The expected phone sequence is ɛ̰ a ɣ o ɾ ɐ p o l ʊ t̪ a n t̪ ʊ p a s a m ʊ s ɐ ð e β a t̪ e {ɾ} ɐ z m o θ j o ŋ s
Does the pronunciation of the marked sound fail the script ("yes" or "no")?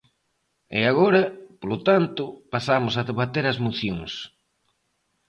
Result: no